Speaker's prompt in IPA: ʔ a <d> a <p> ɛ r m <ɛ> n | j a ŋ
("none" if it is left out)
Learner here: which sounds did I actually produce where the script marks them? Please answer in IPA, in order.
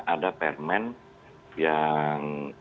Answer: d, p, ɛ

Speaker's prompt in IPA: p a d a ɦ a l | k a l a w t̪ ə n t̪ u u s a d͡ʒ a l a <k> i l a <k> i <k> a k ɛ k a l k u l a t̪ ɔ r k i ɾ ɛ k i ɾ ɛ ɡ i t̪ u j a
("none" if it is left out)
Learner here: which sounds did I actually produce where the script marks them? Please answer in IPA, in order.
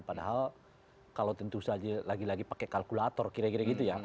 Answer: ɡ, ɡ, p

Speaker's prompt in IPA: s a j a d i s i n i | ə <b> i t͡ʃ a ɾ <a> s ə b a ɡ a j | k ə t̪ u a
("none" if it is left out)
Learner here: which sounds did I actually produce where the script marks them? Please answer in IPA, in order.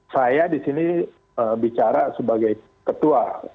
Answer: b, a

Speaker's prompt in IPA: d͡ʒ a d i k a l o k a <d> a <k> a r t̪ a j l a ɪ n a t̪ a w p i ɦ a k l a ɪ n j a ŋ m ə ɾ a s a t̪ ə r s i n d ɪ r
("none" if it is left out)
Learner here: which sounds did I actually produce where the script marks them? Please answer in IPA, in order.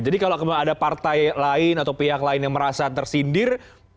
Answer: d, p

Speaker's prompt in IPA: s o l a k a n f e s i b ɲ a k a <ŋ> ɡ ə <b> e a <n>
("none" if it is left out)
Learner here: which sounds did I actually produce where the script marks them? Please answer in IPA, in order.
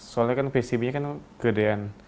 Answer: n, d, n

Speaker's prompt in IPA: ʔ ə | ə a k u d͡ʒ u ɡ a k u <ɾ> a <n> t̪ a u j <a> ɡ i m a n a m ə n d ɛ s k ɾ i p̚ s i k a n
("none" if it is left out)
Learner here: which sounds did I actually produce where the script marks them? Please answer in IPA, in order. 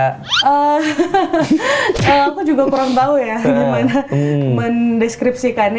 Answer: ɾ, ŋ, a

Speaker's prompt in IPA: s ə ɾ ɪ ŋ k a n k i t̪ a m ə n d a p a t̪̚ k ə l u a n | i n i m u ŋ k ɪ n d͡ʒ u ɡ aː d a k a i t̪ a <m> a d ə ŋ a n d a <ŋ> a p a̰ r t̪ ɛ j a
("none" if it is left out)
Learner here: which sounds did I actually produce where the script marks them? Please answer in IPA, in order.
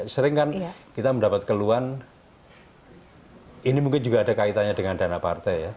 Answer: ɲ, n

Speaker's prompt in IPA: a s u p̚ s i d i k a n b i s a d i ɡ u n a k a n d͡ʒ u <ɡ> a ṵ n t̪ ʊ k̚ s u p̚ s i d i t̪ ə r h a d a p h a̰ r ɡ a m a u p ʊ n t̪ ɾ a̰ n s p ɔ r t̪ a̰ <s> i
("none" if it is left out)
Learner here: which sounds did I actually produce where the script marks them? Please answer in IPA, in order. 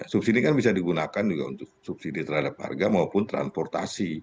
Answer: ɡ, s

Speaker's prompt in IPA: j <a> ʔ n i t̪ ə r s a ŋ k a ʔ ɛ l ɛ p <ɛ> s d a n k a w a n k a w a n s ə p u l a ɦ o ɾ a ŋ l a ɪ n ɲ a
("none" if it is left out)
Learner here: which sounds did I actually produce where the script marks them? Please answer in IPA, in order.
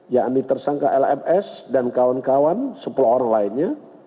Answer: a, ɛ

